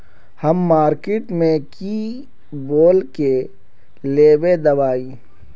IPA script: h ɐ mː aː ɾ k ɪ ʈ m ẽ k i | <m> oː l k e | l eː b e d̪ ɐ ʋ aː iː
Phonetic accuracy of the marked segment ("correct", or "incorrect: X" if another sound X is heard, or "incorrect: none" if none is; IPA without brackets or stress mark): incorrect: b